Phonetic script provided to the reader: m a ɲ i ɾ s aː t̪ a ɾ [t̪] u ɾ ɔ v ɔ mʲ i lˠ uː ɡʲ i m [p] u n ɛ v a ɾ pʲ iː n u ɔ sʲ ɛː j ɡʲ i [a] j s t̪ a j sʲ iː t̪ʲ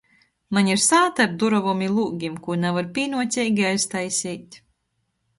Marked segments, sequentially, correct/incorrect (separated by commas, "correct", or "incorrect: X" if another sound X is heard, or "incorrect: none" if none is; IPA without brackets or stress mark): incorrect: d̪, incorrect: k, correct